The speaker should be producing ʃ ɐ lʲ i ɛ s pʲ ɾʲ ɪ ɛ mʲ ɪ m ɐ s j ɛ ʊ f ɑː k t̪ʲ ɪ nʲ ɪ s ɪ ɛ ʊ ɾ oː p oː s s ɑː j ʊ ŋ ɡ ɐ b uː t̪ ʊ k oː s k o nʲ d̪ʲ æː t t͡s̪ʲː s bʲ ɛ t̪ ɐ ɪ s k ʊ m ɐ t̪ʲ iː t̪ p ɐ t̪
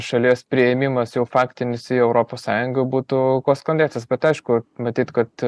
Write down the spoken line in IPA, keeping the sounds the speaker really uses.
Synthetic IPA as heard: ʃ ɐ lʲ i ɛ s pʲ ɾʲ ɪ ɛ mʲ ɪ m ɐ s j ɛ ʊ f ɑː k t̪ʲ ɪ nʲ ɪ s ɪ ɛ ʊ ɾ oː p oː s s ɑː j ʊ ŋ ɡ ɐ b uː t̪ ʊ k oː s k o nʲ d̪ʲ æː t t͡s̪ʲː s bʲ ɛ t̪ ɐ ɪ ʃ k ʊ m ɐ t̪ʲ iː t̪ k ɐ t̪